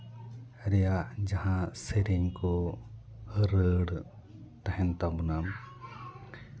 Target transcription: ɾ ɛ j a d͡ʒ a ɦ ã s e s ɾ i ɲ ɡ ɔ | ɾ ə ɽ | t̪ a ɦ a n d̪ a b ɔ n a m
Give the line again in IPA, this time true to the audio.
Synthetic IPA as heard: ɾ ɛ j a d͡ʒ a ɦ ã s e ɾ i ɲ k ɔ | ɾ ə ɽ | t̪ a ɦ ɛ n t̪ a b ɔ n a m